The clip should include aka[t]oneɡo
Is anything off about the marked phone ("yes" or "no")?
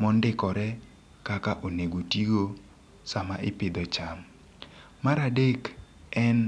yes